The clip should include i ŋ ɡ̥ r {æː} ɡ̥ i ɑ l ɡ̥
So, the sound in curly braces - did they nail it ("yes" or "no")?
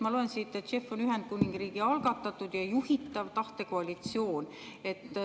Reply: no